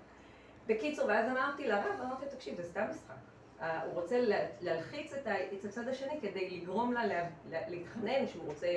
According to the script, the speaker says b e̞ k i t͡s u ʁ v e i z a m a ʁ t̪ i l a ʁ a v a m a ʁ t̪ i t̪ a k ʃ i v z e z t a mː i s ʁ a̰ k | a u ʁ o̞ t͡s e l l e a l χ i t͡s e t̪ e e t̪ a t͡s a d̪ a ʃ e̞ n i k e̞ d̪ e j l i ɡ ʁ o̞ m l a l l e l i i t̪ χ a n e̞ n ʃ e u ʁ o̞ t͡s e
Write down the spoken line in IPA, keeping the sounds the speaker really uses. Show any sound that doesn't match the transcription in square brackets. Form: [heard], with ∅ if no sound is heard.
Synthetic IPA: b e̞ k i t͡s u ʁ v e [a] z a m a ʁ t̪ i l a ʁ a v a m a ʁ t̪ i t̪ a k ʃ i v z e [s] t a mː i s [χ] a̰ k | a u ʁ o̞ t͡s e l l e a l χ i t͡s e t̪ [a] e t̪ a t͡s a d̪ a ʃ e̞ n i k e̞ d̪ e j l i ɡ ʁ o̞ m l a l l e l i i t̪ χ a n e̞ n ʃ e u ʁ o̞ t͡s e